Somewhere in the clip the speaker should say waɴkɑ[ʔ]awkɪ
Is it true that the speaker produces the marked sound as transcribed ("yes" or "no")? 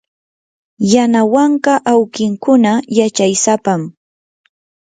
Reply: yes